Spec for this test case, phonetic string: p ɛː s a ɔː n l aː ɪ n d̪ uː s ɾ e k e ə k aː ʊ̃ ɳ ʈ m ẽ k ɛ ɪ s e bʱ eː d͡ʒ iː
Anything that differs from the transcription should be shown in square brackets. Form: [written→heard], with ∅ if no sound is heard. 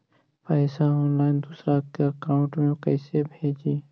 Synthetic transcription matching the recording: p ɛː s a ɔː n l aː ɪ n d̪ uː s ɾ [e→a] k e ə k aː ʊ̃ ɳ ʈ m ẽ k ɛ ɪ s e bʱ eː d͡ʒ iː